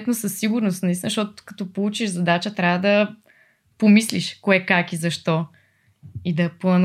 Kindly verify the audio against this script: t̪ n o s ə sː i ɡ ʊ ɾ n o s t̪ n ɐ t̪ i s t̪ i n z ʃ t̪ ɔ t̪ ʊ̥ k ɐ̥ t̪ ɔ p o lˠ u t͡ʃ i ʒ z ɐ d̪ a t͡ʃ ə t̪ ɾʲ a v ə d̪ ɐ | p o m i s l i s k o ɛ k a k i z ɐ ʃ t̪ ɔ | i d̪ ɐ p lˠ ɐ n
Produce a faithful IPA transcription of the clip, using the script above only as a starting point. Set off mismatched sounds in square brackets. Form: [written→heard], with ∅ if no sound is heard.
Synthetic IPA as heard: t̪ n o s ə sː i ɡ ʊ ɾ n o s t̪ n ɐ [t̪→∅] i s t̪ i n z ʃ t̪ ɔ t̪ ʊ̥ k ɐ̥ t̪ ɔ p o lˠ u t͡ʃ i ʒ z ɐ d̪ a t͡ʃ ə t̪ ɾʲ a v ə d̪ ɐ | p o m i s l i [s→ʃ] k o ɛ k a k i z ɐ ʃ t̪ ɔ | i d̪ ɐ p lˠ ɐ n